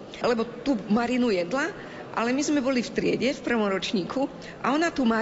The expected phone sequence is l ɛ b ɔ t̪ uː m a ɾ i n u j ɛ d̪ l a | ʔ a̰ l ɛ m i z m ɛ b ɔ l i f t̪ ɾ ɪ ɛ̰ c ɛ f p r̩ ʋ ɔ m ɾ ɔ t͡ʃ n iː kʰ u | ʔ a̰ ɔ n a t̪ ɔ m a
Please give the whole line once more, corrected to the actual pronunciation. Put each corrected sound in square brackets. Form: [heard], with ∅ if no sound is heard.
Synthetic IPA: l ɛ b ɔ t̪ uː m a ɾ i n u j ɛ d̪ l a | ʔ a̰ l ɛ m i z m ɛ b ɔ l i f t̪ ɾ ɪ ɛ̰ [ɟ] ɛ f p r̩ ʋ ɔ m ɾ ɔ t͡ʃ [ɲ] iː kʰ u | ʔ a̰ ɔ n a t̪ [u] m a